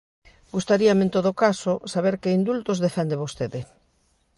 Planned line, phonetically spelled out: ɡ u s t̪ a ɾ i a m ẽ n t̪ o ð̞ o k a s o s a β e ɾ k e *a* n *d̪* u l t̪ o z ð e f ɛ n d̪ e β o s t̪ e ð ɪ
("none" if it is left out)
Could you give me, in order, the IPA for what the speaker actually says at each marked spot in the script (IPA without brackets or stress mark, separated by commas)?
i, d̪